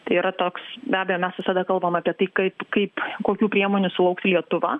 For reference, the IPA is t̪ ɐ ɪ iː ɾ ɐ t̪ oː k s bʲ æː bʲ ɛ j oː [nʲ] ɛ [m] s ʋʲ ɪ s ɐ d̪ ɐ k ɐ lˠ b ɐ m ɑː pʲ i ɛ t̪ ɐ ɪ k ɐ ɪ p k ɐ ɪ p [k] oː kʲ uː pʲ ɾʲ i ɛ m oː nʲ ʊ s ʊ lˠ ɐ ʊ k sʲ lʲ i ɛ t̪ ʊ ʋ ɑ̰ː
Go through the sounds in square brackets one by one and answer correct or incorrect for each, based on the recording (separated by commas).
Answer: incorrect, incorrect, correct